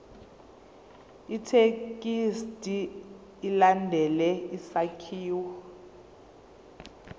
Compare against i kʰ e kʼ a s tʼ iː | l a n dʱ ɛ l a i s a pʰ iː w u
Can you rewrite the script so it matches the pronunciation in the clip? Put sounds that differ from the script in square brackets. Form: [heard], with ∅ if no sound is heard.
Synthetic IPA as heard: i [tʰ] e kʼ [i] s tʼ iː | l a n dʱ ɛ l [ɛ] i s a [kʰ] iː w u